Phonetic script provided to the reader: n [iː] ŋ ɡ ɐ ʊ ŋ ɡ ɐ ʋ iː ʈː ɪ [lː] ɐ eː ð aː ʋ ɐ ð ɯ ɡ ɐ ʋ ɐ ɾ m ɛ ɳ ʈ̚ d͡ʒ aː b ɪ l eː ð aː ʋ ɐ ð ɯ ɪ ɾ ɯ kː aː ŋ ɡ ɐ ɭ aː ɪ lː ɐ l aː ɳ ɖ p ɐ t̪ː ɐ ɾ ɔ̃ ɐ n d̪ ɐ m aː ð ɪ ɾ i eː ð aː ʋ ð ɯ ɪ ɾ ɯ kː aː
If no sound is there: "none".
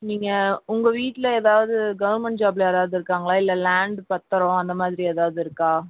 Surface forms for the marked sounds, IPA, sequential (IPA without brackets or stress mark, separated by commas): iː, l